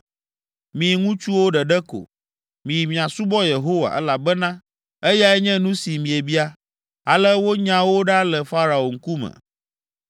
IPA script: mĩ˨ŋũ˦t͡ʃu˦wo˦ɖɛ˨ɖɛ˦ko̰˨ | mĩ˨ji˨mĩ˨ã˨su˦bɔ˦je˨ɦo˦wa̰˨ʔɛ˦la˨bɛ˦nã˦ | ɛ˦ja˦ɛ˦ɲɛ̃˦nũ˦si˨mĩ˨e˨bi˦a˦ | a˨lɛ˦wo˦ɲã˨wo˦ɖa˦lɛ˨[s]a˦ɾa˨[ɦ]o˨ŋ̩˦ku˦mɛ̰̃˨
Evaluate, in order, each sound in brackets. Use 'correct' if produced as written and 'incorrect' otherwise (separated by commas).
incorrect, incorrect